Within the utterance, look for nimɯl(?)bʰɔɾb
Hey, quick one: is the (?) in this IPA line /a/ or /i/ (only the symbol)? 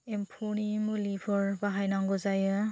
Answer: i